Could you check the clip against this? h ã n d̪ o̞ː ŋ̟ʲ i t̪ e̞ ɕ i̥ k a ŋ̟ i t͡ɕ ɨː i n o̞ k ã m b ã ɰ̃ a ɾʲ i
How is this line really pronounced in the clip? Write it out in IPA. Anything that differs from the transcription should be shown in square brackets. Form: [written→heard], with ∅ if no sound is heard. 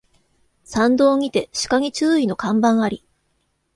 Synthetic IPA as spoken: [h→s] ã n d̪ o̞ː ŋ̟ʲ i t̪ e̞ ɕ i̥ k a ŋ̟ i t͡ɕ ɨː i n o̞ k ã m b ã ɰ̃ a ɾʲ i